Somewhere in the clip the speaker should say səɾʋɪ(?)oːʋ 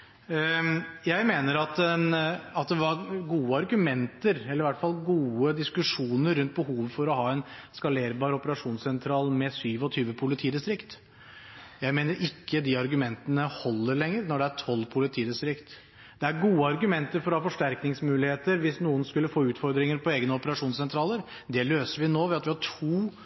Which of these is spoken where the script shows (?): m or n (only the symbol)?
n